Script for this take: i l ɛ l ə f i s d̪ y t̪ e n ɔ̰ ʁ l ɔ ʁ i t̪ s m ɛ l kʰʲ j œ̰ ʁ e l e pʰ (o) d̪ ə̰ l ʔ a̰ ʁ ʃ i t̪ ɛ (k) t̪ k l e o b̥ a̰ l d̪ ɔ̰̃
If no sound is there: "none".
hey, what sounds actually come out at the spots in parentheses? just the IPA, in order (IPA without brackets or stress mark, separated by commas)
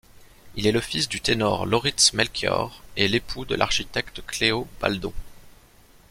u, k